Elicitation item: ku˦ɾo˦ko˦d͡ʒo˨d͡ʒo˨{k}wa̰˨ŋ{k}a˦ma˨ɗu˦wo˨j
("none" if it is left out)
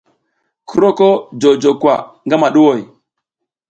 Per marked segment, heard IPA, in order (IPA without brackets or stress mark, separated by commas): k, ɡ